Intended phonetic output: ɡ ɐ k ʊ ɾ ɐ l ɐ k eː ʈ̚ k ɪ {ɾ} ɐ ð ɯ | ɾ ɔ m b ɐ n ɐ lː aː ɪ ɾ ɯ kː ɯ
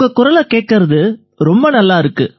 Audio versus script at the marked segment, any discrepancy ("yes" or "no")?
no